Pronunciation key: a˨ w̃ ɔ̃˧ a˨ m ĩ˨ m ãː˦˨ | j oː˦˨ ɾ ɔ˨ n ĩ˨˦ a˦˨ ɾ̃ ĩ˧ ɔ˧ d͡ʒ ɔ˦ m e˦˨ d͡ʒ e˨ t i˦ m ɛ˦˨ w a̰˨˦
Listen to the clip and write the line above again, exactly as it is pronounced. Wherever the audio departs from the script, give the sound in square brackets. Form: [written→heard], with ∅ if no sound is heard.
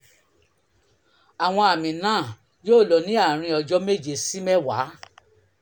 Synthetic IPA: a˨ w̃ ɔ̃˧ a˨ m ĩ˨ [m→n] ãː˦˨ | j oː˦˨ [ɾ→l] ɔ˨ n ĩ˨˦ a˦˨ ɾ̃ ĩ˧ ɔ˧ d͡ʒ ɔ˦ m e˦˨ d͡ʒ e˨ [t→s] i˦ m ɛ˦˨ w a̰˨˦

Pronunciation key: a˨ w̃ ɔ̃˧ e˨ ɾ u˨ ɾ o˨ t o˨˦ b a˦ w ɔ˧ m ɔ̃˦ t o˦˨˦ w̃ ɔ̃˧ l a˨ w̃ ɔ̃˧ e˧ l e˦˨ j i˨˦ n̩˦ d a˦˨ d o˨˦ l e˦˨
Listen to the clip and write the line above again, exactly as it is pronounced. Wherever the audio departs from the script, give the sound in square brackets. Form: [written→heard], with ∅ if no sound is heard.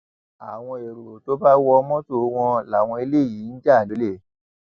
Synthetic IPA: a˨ w̃ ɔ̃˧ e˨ ɾ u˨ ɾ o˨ t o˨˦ b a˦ w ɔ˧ m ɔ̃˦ t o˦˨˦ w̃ ɔ̃˧ l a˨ w̃ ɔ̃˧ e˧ l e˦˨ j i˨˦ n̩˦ [d→d͡ʒ] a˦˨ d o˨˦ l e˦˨

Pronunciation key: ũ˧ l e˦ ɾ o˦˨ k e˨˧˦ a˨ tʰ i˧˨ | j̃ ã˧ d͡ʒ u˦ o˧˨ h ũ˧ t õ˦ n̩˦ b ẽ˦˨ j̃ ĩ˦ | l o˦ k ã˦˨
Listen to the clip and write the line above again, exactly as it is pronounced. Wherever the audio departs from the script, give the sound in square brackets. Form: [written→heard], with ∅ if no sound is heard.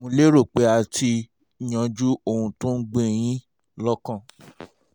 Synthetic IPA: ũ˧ l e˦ ɾ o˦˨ [k→k͡p] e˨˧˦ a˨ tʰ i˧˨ | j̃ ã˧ d͡ʒ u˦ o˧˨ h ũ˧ t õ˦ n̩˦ [b→ɡ͡b] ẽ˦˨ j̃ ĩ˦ | l [o˦→ɔ˦] k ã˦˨

